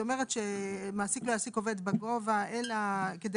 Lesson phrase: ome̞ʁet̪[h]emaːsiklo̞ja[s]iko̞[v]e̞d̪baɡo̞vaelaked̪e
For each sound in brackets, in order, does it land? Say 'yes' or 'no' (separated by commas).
no, yes, yes